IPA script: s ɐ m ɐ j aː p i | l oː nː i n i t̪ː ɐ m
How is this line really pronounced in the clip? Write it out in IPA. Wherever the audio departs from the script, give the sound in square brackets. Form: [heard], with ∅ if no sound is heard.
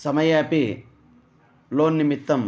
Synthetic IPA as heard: s ɐ m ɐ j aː p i | l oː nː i [m] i t̪ː ɐ m